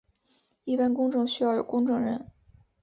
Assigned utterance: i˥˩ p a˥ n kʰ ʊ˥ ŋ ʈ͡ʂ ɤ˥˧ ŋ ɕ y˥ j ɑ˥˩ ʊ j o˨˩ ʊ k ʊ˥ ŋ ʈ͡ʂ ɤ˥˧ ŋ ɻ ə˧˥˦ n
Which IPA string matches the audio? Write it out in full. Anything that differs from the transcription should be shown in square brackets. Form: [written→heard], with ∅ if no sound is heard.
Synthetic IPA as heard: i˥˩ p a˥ n [kʰ→k] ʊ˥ ŋ ʈ͡ʂ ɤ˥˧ ŋ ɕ y˥ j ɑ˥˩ ʊ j o˨˩ ʊ k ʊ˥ ŋ ʈ͡ʂ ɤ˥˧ ŋ ɻ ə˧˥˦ n